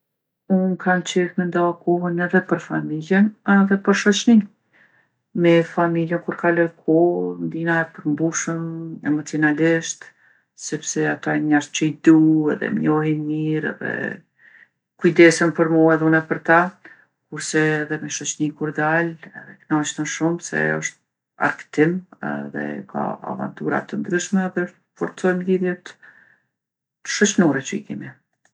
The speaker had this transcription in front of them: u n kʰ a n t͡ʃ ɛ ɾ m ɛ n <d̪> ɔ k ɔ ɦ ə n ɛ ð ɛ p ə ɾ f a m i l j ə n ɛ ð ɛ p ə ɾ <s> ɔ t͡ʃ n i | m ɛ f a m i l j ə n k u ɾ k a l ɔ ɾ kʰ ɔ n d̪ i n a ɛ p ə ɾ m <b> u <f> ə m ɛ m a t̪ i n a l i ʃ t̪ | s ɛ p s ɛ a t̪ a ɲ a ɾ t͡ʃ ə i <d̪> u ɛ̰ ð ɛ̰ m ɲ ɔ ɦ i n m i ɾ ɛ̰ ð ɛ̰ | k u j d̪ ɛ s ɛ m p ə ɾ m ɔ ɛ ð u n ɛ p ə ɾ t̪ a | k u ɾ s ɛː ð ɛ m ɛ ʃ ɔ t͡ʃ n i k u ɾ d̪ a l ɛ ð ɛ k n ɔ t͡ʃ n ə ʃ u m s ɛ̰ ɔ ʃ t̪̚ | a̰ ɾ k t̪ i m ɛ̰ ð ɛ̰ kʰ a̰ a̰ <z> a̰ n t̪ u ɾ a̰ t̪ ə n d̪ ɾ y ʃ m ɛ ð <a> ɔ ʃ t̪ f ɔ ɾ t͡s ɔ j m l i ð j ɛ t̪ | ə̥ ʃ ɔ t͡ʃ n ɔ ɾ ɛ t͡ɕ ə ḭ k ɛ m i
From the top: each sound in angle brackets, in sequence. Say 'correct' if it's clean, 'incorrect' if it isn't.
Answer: correct, incorrect: ʃ, correct, incorrect: ʃ, correct, incorrect: v, incorrect: ɛ

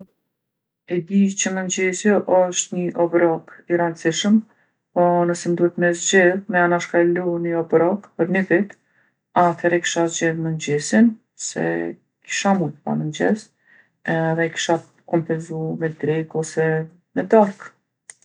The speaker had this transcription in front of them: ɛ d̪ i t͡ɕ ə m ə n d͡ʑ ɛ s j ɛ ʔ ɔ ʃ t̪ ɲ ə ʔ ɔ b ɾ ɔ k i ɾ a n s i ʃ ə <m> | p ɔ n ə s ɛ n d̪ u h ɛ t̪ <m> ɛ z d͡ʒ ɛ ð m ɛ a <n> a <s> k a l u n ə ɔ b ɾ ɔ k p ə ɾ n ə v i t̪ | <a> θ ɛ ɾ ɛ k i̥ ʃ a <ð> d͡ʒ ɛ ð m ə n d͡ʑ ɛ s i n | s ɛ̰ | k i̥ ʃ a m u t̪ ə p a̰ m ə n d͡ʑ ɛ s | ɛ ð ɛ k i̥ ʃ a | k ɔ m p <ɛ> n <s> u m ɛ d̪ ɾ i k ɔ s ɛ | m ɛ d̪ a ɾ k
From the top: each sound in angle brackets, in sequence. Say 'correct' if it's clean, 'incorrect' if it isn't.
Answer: correct, correct, correct, incorrect: ʃ, correct, incorrect: z, correct, incorrect: z

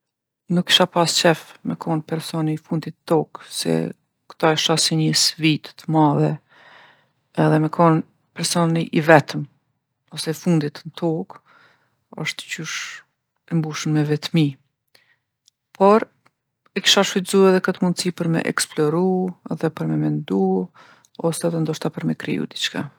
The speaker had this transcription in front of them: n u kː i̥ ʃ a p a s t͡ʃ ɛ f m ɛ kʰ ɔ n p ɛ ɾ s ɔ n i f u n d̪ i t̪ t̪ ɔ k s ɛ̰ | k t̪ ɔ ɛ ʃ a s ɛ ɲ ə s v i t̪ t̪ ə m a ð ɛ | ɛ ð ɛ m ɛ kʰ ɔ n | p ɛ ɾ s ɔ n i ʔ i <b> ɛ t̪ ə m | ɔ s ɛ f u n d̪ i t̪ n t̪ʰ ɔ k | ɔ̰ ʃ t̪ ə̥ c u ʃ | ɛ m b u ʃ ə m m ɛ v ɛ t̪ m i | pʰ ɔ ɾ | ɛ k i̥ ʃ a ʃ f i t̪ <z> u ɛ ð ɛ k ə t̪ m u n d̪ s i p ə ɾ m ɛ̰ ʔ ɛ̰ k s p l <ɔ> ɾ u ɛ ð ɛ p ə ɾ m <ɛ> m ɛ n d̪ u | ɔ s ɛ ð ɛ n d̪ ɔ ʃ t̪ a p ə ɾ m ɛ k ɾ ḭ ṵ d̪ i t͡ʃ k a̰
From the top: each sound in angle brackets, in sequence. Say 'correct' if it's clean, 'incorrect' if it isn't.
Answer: incorrect: v, correct, correct, correct

